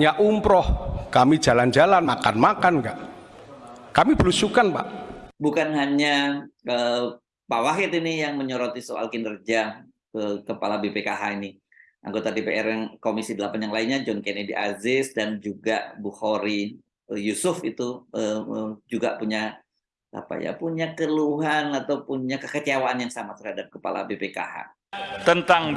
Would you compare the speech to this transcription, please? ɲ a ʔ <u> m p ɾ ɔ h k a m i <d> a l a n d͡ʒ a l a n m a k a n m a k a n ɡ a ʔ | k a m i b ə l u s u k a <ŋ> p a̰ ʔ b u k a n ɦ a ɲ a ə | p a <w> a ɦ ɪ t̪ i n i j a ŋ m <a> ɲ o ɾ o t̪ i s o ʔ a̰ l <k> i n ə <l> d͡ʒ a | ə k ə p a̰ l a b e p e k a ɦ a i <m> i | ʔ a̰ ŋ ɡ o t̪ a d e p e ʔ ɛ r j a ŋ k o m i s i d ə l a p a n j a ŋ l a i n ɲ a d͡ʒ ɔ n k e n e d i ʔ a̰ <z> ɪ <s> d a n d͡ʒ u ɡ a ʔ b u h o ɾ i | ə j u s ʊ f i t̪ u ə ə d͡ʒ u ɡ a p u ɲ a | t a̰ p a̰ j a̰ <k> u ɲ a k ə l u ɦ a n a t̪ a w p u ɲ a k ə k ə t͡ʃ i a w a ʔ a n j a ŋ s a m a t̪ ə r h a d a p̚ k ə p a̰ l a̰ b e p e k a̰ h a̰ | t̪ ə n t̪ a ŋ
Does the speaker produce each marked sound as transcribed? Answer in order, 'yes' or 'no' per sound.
yes, no, no, yes, no, yes, no, no, yes, yes, no

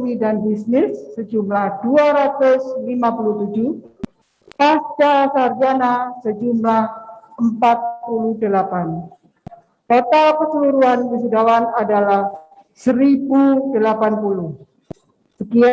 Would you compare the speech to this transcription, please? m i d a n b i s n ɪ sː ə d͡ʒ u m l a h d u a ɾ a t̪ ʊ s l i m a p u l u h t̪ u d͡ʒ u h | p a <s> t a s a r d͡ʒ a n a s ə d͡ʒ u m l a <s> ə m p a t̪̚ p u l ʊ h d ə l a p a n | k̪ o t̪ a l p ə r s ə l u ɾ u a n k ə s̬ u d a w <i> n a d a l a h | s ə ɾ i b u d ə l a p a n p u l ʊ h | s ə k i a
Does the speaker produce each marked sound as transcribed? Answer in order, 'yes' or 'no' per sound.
yes, no, no

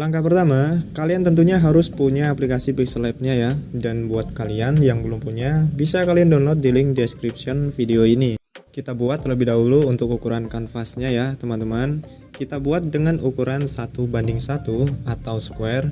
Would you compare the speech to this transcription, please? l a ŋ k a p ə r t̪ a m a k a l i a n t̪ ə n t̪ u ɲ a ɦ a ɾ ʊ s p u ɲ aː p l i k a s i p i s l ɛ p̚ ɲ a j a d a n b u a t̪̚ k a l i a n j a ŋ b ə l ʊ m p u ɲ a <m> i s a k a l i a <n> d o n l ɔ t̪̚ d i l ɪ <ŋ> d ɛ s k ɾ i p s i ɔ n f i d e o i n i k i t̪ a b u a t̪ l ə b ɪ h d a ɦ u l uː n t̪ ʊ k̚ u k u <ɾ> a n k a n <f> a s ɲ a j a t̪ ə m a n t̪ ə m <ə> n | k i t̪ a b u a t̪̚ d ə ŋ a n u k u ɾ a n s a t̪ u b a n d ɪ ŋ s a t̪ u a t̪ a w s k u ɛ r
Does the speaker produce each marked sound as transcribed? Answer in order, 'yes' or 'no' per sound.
no, yes, yes, yes, yes, no

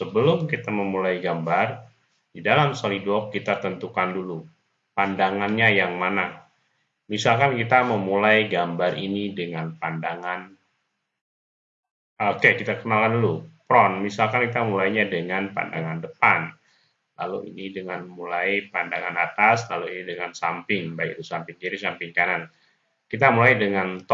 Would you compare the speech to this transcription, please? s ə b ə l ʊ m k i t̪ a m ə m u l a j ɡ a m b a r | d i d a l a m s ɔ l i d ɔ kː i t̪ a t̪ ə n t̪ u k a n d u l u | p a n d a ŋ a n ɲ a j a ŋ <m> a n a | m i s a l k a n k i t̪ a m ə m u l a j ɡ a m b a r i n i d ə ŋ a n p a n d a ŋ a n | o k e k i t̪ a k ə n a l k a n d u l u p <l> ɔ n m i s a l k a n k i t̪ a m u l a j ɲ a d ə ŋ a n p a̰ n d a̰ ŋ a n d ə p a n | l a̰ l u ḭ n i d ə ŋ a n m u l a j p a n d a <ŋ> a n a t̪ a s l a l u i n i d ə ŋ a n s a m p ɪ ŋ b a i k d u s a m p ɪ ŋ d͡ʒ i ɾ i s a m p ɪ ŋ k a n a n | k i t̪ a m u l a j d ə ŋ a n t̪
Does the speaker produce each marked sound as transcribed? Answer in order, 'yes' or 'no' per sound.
yes, no, yes

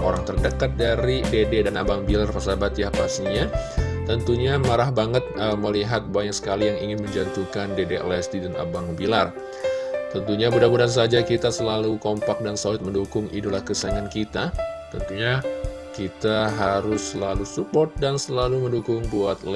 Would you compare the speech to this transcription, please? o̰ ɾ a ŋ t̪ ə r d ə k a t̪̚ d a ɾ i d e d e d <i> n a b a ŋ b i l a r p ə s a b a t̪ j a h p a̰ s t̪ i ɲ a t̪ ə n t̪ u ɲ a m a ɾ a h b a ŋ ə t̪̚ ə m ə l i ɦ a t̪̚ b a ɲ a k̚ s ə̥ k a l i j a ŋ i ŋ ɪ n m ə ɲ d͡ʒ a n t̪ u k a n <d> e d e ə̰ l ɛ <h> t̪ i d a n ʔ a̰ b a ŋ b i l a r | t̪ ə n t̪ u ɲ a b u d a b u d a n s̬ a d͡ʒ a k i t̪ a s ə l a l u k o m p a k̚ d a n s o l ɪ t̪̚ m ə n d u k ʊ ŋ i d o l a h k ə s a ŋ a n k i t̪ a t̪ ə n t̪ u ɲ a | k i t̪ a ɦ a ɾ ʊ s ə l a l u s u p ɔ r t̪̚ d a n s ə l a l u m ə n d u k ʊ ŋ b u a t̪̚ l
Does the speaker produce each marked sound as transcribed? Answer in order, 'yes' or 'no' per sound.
no, yes, no

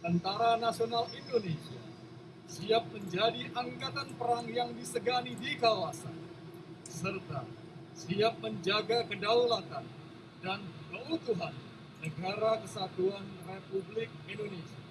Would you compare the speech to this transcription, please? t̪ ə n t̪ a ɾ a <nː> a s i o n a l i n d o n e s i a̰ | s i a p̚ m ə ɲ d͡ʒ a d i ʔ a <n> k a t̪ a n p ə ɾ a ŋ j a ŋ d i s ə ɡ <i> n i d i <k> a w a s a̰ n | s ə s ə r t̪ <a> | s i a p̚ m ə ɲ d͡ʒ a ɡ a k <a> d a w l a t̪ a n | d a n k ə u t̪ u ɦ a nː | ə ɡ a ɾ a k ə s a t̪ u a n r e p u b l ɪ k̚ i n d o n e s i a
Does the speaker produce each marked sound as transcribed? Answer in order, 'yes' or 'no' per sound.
no, no, no, yes, yes, no

